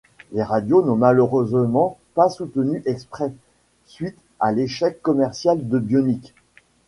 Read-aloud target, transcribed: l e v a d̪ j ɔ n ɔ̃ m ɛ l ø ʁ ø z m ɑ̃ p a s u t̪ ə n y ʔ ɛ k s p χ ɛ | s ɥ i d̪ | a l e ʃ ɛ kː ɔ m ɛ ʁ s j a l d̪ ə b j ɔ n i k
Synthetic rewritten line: l e ʁ a d̪ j o n ɔ̃ m a l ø ʁ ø z m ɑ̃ p a s u t̪ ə n y ʔ ɛ k s p χ ɛ | s ɥ i t̪ | a l e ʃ ɛ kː ɔ m ɛ ʁ s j a l d̪ ə b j ɔ n i k